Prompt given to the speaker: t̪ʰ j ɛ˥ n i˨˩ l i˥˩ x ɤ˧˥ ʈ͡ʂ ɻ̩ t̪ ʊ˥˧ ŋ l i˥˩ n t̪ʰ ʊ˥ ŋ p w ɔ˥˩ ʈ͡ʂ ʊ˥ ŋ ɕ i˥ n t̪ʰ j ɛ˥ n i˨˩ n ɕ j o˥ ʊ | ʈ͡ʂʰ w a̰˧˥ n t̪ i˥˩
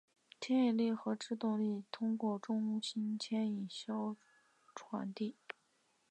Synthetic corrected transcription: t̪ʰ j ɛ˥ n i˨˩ l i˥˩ x ɤ˧˥ ʈ͡ʂ ɻ̩ t̪ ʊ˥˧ ŋ l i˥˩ t̪ʰ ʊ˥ ŋ k w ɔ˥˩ ʈ͡ʂ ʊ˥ ŋ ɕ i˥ n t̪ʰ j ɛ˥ n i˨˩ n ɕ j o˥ ʊ | ʈ͡ʂʰ w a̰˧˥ n t̪ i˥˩